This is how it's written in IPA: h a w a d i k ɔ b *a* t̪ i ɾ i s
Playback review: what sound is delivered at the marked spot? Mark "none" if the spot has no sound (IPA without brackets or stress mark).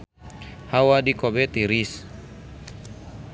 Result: ɛ